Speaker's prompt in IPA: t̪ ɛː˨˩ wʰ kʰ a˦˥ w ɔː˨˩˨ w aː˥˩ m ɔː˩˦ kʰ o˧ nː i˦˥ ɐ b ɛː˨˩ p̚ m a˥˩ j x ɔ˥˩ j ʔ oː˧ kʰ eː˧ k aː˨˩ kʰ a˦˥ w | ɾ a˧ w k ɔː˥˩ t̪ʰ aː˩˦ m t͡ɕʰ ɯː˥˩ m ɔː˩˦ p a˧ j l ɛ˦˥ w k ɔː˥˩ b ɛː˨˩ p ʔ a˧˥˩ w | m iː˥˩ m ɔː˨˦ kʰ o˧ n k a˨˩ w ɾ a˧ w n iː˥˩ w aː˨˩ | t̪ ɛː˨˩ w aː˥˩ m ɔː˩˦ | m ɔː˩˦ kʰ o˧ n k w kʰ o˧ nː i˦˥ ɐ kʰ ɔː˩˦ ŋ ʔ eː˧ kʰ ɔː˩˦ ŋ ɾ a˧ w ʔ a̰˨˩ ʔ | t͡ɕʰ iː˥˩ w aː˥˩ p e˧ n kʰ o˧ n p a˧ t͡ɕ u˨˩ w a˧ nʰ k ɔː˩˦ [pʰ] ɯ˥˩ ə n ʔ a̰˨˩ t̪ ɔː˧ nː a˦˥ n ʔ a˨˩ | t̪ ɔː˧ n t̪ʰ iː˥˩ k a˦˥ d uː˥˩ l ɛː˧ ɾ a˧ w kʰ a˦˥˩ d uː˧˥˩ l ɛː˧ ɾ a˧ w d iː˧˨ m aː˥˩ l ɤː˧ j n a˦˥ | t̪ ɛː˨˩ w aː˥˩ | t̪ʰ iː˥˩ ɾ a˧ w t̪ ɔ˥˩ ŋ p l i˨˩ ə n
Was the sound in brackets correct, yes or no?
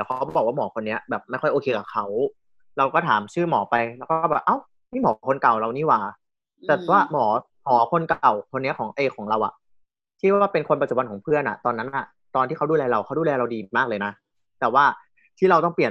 yes